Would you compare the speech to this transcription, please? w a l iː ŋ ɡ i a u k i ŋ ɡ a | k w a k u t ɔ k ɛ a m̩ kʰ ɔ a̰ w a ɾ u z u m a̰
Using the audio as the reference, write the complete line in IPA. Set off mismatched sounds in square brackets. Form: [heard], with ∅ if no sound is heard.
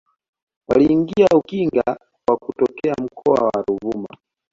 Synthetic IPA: w a l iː ŋ ɡ i a u k i ŋ ɡ a | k w a k u t ɔ k ɛ a m̩ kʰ ɔ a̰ w a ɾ u [v] u m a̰